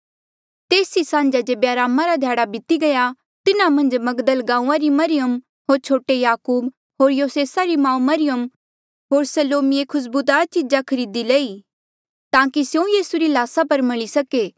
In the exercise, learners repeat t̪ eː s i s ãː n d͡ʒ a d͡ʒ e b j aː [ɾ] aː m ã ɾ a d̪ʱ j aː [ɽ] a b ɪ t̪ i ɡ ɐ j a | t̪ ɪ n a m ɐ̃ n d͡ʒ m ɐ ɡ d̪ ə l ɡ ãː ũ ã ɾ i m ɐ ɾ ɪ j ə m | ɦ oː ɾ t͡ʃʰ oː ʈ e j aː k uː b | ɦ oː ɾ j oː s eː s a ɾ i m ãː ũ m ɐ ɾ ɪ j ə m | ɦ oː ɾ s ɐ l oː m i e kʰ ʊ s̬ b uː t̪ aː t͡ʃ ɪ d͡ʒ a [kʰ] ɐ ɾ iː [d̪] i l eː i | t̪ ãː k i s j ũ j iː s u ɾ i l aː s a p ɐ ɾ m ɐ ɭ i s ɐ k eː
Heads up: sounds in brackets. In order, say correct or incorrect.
correct, correct, correct, correct

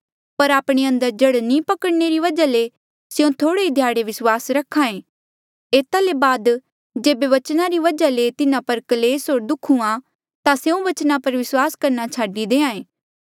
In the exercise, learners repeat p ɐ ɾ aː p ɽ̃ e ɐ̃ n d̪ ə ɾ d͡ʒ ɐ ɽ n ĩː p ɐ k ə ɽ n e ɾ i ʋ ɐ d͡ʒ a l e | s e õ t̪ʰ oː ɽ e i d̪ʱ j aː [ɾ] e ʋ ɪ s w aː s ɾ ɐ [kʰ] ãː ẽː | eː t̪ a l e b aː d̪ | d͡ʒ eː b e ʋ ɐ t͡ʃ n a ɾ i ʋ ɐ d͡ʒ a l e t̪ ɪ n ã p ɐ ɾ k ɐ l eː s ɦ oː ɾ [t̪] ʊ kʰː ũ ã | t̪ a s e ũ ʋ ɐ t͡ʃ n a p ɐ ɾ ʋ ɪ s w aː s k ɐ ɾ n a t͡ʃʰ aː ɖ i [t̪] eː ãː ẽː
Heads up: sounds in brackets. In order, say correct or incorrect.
incorrect: ɽ, correct, incorrect: d̪, incorrect: d̪

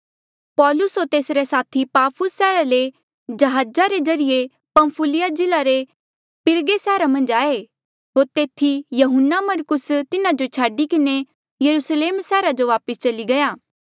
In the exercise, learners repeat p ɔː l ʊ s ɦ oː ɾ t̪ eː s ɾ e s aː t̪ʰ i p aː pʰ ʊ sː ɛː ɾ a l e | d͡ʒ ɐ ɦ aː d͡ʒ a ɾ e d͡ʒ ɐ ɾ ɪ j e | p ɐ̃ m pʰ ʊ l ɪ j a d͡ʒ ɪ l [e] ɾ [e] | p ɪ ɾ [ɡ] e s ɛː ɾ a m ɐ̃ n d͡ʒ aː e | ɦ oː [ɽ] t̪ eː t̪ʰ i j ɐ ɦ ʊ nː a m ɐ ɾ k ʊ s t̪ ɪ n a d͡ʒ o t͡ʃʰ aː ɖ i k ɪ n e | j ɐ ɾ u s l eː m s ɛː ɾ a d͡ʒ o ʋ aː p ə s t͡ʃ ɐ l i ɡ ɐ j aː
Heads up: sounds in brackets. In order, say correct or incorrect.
incorrect: a, correct, correct, incorrect: ɾ

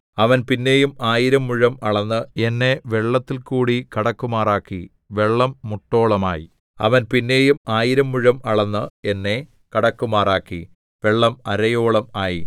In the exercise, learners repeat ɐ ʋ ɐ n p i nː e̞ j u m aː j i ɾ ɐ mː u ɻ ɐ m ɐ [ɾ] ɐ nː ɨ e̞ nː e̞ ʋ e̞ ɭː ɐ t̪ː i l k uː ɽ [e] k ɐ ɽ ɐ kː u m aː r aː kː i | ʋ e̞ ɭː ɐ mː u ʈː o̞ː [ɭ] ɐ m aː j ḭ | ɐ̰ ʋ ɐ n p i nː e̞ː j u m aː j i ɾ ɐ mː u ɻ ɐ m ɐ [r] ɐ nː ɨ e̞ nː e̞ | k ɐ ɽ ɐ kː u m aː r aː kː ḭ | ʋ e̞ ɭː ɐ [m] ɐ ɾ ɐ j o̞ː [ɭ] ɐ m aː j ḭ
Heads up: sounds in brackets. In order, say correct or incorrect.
incorrect: ɭ, incorrect: i, correct, incorrect: ɭ, correct, correct

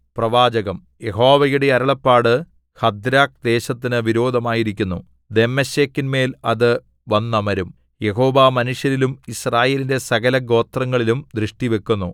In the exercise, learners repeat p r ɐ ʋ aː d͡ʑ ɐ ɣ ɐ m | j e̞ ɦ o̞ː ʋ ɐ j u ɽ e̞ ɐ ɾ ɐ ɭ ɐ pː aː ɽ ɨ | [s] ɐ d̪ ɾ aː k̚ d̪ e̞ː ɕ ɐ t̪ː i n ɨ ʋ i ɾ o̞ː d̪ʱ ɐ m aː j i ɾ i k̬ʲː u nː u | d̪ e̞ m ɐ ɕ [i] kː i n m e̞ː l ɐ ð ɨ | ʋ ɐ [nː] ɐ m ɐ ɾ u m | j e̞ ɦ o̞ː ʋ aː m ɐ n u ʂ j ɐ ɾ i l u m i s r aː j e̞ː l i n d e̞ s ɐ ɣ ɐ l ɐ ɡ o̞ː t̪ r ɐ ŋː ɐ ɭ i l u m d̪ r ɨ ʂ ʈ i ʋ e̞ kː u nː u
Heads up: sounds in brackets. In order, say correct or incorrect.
incorrect: h, incorrect: e, correct

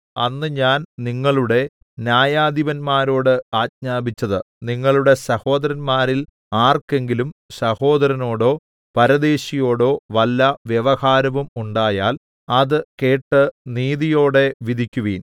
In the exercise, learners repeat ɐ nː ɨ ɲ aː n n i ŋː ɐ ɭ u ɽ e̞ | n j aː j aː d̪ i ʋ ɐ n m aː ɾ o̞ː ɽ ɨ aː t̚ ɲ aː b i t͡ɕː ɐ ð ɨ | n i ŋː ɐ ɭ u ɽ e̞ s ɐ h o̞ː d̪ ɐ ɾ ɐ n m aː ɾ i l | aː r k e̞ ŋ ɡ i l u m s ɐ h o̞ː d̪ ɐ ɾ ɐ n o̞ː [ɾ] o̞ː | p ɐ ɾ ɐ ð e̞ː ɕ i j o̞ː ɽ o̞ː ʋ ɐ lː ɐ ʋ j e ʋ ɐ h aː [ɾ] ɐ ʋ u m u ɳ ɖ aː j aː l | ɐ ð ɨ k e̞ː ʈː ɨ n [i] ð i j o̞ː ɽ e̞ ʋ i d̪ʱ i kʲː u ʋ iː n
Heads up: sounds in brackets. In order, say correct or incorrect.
incorrect: ɽ, correct, incorrect: iː

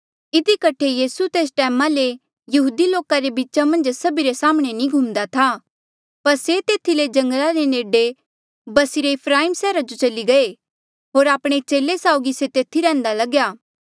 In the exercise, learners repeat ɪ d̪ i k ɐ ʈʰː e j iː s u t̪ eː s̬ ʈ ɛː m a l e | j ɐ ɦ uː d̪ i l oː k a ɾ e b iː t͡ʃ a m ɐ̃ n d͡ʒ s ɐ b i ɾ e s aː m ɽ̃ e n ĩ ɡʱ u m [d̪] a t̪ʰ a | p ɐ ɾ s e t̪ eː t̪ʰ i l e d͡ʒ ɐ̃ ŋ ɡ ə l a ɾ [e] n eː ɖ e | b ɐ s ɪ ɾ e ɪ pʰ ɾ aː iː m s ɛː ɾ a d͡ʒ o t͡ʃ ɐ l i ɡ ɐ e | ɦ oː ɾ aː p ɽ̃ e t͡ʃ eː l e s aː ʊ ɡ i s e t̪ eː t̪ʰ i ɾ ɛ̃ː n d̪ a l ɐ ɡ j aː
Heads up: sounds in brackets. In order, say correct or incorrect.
correct, correct

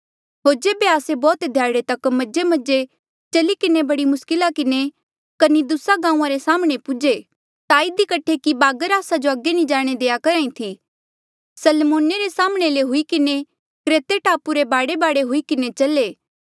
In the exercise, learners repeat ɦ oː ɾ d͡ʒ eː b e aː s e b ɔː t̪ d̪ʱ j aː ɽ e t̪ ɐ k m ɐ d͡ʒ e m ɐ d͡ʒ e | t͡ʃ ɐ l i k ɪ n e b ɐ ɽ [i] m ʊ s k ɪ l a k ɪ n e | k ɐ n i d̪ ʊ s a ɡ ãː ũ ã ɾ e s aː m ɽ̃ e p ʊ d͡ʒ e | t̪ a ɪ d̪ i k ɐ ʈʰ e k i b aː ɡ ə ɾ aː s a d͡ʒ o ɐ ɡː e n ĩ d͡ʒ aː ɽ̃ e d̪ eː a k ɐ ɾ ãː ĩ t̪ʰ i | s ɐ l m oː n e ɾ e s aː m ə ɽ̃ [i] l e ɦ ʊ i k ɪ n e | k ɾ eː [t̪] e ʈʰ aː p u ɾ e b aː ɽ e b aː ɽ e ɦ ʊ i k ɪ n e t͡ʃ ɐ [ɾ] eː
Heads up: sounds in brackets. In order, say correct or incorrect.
correct, incorrect: e, correct, incorrect: l

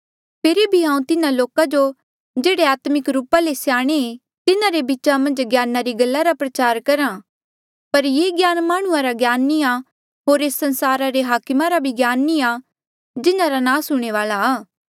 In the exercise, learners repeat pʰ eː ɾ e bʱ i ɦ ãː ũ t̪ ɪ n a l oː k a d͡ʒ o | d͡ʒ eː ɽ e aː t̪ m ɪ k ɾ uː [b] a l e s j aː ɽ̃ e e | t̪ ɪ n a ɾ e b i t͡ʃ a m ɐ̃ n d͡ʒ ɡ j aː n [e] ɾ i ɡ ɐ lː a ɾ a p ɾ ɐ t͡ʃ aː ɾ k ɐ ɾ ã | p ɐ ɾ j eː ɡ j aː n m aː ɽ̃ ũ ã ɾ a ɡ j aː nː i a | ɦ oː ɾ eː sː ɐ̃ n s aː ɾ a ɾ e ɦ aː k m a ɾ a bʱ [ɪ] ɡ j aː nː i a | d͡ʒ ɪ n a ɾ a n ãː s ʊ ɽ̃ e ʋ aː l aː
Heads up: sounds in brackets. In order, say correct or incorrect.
incorrect: p, incorrect: a, incorrect: i

